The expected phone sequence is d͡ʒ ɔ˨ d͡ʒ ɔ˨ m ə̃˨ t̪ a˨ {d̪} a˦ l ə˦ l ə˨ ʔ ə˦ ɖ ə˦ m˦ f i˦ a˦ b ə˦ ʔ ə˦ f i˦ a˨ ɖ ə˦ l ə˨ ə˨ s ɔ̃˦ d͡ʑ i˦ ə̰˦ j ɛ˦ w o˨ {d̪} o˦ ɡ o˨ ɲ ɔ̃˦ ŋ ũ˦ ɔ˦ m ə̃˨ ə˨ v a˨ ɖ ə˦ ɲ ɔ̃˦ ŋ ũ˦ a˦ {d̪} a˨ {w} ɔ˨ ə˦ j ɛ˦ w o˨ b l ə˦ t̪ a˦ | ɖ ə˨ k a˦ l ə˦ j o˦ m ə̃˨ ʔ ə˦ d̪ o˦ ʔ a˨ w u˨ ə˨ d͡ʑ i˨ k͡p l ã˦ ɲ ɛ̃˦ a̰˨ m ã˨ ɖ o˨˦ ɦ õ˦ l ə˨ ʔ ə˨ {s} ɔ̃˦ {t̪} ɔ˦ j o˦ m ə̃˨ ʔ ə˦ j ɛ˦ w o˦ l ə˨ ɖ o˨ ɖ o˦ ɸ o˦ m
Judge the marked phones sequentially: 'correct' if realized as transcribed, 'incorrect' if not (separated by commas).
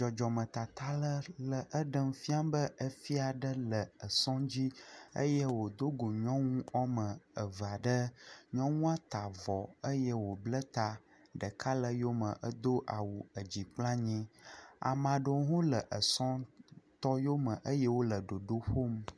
incorrect, correct, incorrect, incorrect, correct, correct